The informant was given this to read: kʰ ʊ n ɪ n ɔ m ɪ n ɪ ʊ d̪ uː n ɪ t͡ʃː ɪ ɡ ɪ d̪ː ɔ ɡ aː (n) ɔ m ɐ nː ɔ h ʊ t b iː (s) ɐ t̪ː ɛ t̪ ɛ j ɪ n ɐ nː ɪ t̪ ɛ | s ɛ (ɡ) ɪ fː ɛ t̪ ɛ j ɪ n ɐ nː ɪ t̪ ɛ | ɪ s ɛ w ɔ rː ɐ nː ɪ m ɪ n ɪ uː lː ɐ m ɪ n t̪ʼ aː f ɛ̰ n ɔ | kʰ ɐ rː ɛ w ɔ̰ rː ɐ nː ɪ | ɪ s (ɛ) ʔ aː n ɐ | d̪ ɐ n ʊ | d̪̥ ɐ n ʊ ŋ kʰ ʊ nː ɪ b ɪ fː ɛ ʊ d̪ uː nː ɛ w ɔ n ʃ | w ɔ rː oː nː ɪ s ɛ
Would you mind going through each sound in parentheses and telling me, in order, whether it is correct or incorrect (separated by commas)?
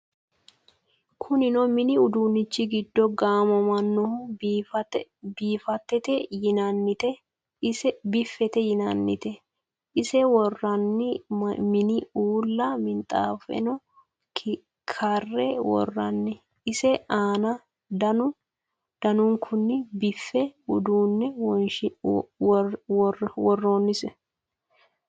incorrect, incorrect, incorrect, correct